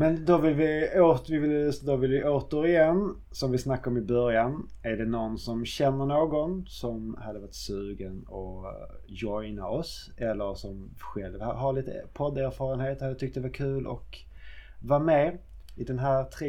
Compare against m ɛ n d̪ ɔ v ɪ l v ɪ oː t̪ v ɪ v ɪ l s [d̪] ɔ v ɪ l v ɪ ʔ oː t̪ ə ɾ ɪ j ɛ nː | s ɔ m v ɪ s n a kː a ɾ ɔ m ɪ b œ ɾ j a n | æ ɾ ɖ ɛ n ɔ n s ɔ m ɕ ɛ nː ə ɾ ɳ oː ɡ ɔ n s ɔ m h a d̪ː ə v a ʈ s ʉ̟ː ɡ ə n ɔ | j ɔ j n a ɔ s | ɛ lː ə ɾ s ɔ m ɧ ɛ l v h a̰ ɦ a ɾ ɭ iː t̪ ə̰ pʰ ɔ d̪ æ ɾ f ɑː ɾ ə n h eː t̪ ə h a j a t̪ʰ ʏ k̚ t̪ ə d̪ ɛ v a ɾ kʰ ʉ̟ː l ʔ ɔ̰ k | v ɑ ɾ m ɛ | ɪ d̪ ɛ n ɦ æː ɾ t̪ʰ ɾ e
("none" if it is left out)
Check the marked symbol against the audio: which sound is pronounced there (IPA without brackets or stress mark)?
d̪